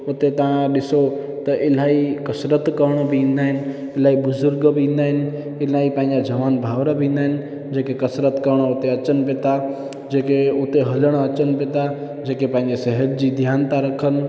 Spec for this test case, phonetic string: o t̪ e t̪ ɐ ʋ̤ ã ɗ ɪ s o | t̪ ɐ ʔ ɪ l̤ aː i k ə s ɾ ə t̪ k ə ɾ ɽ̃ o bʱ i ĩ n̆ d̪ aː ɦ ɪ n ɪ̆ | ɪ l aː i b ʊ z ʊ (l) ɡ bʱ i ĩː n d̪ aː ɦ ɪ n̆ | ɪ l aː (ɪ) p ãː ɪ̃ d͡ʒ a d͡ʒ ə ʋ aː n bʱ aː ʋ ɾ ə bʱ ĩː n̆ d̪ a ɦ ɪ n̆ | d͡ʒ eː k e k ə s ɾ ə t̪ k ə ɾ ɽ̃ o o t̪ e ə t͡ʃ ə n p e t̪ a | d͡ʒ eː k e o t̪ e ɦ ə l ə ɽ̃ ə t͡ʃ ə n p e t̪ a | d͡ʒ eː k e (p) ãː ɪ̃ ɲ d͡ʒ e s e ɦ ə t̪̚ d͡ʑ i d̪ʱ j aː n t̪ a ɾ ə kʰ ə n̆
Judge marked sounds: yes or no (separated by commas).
no, no, yes